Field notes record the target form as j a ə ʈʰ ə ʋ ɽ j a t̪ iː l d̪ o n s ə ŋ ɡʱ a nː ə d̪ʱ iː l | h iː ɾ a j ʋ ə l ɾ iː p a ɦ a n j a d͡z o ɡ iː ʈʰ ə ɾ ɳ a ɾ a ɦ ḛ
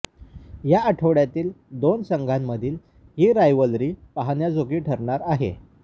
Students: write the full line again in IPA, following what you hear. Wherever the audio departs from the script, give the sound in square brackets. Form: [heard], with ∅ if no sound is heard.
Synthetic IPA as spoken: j a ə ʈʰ ə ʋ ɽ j a t̪ iː l d̪ o n s ə ŋ ɡʱ a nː ə d̪ʱ iː l | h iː ɾ a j ʋ ə l ɾ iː p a ɦ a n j a d͡z o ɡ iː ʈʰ ə ɾ ɳ a ɾ a ɦ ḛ